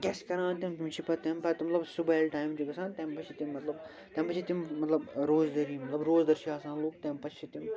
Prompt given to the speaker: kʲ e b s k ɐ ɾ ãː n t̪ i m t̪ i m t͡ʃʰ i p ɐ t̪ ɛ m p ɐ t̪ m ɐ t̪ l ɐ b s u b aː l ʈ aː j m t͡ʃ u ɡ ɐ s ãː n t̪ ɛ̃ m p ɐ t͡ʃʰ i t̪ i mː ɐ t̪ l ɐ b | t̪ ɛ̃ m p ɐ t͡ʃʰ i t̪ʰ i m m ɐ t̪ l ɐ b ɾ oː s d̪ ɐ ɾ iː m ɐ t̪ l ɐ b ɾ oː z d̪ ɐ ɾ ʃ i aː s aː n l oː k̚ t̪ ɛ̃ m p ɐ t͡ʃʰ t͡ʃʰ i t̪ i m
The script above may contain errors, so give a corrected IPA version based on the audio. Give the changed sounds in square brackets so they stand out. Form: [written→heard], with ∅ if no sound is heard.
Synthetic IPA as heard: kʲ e [b→∅] s k ɐ ɾ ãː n t̪ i m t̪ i m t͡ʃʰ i p ɐ t̪ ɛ m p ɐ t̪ m ɐ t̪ l ɐ b s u b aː l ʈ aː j m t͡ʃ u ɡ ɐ s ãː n t̪ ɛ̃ m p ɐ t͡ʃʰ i t̪ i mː ɐ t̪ l ɐ b | t̪ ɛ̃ m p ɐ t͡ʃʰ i [t̪ʰ→t̪] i m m ɐ t̪ l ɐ b ɾ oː [s→z] d̪ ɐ ɾ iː m ɐ t̪ l ɐ b ɾ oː z d̪ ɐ ɾ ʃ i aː s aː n l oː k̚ t̪ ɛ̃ m p ɐ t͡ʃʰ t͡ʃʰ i t̪ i m